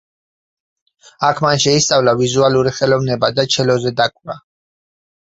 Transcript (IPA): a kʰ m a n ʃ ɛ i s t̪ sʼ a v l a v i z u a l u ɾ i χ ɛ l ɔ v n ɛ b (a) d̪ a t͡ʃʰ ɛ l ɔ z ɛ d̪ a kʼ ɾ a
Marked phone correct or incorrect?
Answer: correct